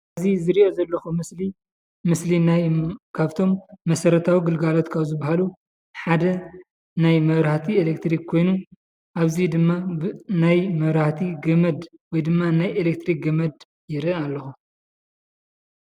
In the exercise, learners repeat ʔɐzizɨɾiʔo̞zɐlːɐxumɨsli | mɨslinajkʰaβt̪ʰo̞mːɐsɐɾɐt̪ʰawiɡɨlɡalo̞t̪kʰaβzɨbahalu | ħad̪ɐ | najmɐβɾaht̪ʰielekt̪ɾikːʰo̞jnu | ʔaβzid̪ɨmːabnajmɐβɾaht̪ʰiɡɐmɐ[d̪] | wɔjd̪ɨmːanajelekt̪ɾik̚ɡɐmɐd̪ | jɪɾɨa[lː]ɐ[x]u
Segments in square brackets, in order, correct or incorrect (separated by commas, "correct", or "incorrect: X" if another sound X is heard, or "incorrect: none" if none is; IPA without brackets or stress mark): correct, correct, correct